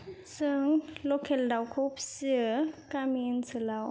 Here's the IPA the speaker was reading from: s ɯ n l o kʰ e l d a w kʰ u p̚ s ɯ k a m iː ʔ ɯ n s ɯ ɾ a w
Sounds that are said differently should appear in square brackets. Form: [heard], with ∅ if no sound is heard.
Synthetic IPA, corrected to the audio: s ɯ [ŋ] l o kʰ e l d a w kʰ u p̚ s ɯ k a m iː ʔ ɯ n s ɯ [l] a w